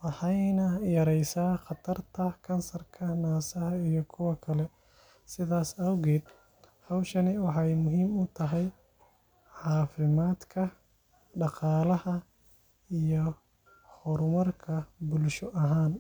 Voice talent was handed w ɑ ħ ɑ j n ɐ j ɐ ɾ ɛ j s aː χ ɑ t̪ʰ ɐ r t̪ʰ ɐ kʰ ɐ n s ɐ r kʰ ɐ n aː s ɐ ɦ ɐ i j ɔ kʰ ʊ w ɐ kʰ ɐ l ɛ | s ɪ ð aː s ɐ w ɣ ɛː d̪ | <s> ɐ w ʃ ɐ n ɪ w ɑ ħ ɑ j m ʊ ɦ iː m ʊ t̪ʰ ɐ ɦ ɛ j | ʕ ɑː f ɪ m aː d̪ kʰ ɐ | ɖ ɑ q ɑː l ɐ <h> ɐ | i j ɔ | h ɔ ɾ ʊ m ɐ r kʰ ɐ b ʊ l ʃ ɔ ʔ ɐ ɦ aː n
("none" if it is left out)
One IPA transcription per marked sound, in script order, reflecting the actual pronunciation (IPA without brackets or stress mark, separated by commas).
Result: h, h